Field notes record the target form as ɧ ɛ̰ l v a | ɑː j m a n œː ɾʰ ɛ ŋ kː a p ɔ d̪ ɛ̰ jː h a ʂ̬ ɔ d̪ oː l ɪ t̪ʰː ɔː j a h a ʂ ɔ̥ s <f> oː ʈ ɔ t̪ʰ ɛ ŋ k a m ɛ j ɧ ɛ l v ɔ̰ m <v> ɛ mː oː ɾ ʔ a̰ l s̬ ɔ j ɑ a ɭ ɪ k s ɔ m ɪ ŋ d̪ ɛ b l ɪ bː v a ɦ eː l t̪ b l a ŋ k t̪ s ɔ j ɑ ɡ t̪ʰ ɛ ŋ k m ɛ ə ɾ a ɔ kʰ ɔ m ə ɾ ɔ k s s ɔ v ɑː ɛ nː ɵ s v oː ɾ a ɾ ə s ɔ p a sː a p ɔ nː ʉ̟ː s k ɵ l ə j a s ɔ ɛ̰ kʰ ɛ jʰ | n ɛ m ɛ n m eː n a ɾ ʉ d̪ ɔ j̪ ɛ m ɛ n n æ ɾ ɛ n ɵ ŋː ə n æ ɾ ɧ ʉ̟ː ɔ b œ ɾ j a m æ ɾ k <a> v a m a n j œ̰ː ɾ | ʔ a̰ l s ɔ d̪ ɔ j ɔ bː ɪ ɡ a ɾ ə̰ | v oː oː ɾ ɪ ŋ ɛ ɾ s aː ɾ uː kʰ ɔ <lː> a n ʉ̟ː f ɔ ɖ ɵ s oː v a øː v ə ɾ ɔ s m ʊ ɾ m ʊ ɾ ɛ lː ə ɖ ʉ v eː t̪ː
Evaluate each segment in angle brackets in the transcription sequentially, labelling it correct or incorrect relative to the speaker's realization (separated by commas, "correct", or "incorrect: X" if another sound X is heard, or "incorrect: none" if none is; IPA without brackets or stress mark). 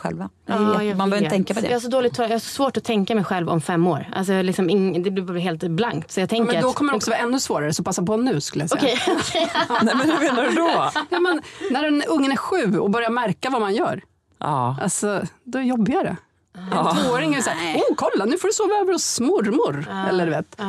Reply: incorrect: v, incorrect: f, correct, correct